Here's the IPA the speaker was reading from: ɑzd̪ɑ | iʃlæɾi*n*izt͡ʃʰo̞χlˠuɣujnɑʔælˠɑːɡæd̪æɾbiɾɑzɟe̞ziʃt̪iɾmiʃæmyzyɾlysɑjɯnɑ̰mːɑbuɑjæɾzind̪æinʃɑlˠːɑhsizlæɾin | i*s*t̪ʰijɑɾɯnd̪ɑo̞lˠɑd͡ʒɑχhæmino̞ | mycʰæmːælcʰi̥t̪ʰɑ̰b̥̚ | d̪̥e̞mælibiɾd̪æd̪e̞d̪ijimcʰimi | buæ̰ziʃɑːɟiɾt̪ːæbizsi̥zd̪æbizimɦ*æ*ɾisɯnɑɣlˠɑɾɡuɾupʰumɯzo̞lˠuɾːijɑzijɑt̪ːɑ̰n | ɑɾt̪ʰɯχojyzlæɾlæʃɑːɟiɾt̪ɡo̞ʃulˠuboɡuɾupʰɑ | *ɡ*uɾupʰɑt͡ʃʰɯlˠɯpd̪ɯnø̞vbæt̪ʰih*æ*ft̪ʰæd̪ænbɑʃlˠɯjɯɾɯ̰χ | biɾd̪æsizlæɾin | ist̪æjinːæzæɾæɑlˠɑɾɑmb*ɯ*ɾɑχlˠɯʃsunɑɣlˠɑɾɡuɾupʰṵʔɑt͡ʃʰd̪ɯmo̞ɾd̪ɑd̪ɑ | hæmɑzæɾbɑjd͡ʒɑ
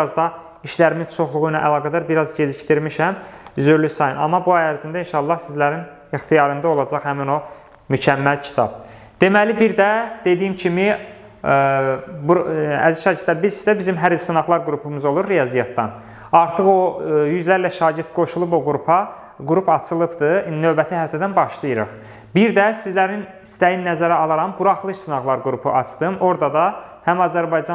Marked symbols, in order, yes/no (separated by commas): no, no, yes, yes, yes, no